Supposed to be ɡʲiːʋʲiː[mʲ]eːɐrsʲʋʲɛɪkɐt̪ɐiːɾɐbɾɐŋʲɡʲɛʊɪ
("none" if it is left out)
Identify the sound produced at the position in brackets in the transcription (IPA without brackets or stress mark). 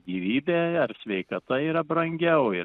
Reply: bʲ